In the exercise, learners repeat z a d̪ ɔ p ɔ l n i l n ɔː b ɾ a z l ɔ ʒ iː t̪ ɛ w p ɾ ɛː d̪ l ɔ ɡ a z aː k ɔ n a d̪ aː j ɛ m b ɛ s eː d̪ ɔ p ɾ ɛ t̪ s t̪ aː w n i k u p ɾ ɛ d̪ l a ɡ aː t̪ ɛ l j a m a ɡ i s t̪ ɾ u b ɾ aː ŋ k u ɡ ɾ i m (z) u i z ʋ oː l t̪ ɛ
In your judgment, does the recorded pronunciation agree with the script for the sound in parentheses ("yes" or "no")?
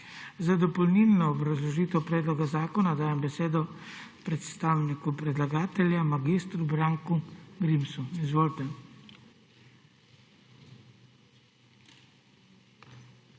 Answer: no